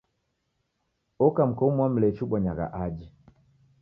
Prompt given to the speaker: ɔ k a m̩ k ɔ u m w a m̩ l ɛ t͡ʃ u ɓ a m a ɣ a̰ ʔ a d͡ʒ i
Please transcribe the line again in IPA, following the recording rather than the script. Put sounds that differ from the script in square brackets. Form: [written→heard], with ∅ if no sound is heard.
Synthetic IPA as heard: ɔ k a m̩ k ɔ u m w a m̩ l ɛ t͡ʃ u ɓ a [m→ɲ] a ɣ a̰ ʔ a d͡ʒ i